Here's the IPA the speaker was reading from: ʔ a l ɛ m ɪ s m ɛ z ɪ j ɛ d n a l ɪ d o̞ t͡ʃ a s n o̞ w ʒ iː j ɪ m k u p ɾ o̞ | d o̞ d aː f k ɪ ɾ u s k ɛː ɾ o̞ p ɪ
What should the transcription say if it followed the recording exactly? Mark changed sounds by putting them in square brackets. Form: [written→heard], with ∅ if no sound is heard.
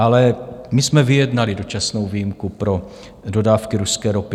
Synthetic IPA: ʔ a l ɛ m ɪ s m ɛ [z→v] ɪ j ɛ d n a l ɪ d o̞ t͡ʃ a s n o̞ w [ʒ→v] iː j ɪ m k u p ɾ o̞ | d o̞ d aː f k ɪ ɾ u s k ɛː ɾ o̞ p ɪ